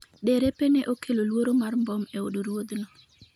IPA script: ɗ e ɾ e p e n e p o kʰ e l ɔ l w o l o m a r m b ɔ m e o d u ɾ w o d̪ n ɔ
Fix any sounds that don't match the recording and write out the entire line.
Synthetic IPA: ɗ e ɾ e p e n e ʔ o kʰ e l o l w o ɾ o m a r m b ɔ m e o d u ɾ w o d̪ n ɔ